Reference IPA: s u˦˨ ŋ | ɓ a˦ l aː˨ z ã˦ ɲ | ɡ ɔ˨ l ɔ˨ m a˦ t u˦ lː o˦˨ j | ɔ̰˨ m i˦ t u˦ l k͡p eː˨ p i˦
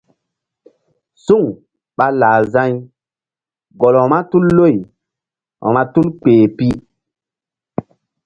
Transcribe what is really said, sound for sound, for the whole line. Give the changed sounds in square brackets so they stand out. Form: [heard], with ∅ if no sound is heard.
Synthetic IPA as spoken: s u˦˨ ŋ | ɓ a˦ l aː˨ z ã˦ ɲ | ɡ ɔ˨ l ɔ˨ m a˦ t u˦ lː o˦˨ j | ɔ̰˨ m [a˦] t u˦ l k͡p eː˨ p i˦

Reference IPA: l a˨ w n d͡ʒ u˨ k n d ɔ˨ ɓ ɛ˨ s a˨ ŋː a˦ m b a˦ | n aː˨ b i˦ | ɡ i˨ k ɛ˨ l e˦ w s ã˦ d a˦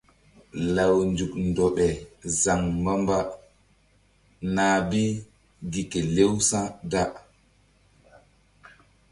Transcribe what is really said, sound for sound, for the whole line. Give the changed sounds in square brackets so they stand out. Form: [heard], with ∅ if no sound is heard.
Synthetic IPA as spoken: l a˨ w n d͡ʒ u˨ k n d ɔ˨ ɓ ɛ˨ [z] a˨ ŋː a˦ m b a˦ | n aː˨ b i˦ | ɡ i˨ k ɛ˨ l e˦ w s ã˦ d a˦

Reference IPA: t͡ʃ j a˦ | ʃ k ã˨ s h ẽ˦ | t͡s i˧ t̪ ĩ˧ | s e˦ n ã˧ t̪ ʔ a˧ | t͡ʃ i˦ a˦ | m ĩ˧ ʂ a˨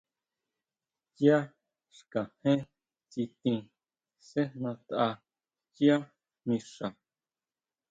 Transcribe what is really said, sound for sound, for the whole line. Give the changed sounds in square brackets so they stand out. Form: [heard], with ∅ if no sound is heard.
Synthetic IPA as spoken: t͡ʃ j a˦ | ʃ k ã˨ [∅] h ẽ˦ | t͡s i˧ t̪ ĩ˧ | s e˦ n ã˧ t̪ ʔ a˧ | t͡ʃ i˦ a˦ | m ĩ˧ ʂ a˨

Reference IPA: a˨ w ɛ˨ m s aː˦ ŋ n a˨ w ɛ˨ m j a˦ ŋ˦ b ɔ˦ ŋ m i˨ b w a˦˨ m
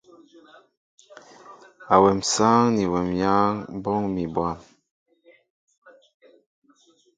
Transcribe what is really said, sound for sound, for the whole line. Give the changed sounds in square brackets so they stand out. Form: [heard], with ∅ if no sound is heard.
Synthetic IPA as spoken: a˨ w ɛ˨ m s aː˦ ŋ n [i˨] w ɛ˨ m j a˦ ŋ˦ b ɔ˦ ŋ m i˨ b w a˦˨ m

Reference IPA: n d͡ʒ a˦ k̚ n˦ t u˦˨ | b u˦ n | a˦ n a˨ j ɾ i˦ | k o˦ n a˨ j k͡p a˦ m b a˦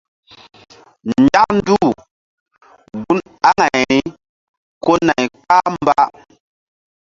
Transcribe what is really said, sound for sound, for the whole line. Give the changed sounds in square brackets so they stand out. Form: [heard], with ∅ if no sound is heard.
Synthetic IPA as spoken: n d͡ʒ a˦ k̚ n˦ [d] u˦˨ | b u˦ n | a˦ [ŋ] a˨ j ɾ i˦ | k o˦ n a˨ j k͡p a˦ m b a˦

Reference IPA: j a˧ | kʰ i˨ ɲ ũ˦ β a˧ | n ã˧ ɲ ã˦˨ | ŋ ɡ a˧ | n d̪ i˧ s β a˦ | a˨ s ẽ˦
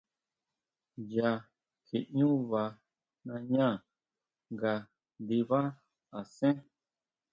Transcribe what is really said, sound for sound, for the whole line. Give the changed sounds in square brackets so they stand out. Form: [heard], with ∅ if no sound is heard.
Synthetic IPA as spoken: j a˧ | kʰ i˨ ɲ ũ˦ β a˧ | n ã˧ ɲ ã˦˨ | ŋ ɡ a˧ | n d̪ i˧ [∅] β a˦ | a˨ s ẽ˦

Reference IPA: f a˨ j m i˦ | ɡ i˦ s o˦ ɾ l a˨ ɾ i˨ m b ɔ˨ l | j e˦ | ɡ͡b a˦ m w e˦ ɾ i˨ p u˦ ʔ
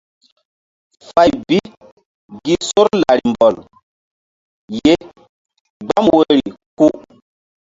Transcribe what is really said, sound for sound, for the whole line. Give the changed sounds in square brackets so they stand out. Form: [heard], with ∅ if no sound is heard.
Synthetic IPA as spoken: f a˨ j [b] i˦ | ɡ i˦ s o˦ ɾ l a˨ ɾ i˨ m b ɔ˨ l | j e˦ | ɡ͡b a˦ m w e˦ ɾ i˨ [k] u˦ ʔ

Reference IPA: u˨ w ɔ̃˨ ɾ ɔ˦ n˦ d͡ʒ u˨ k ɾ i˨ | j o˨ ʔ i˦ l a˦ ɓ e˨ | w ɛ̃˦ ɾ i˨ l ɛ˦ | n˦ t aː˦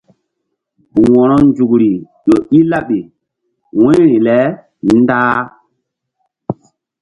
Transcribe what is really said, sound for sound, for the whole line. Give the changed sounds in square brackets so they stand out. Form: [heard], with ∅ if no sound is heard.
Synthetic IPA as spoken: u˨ w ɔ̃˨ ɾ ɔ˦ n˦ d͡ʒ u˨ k ɾ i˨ | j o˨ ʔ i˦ l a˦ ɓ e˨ | w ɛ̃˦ ɾ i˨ l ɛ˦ | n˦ [d] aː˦

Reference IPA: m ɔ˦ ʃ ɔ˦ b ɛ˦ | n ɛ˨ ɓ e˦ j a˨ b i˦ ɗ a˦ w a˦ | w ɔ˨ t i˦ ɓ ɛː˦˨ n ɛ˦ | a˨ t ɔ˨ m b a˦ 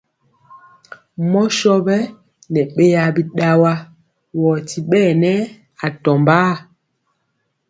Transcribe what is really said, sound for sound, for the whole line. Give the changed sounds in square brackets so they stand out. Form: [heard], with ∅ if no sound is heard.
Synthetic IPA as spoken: m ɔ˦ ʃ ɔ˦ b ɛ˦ | n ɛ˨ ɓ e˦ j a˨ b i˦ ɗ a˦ w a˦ | w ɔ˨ t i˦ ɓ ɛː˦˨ n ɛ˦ | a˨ t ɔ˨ m b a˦

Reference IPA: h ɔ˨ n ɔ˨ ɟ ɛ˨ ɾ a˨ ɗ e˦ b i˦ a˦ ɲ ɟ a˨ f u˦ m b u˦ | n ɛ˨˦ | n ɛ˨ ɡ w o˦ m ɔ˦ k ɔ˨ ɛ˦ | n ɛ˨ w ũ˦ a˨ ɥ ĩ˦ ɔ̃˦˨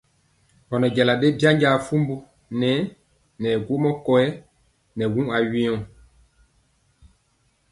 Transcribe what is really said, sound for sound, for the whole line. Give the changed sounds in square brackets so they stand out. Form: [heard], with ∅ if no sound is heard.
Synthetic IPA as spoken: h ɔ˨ n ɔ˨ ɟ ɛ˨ [l] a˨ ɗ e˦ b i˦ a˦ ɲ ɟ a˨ f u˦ m b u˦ | n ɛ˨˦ | n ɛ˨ ɡ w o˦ m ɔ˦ k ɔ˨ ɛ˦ | n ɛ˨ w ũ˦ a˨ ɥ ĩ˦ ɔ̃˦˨

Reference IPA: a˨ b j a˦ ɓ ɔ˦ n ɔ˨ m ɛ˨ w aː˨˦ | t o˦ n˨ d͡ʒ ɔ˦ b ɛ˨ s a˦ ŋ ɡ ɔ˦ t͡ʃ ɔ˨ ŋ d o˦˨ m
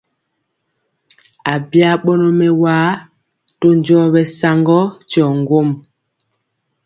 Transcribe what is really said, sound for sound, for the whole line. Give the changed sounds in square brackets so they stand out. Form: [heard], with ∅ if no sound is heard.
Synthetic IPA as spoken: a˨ b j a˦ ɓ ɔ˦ n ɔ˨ m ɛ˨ w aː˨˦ | t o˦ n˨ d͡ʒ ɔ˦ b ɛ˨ s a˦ ŋ ɡ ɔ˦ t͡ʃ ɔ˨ ŋ [ɡ] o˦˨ m

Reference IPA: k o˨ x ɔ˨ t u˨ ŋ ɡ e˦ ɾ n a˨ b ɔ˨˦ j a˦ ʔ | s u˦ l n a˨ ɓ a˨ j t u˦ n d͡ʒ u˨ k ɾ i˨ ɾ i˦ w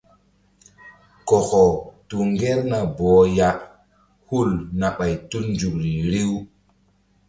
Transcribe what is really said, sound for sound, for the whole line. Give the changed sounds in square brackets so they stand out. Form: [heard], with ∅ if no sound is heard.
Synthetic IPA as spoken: k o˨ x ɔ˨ t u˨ ŋ ɡ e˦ ɾ n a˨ b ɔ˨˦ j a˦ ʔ | [h] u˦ l n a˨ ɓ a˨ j t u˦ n d͡ʒ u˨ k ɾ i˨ ɾ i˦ w

